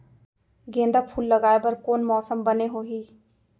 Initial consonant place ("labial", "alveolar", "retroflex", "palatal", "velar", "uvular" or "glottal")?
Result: velar